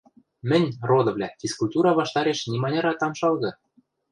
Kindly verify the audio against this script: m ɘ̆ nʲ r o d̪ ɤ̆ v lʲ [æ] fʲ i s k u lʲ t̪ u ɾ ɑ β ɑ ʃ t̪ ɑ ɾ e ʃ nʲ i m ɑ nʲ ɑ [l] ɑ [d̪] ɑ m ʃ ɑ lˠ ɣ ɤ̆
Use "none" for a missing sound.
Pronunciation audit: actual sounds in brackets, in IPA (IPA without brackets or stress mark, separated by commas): æ, ɾ, t̪